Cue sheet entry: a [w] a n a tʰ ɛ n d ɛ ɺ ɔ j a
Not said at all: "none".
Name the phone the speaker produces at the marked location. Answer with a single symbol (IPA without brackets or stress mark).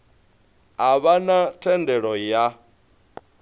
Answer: β